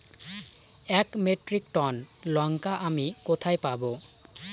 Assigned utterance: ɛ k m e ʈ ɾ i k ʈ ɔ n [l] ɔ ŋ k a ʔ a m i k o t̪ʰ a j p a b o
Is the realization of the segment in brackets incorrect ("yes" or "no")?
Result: no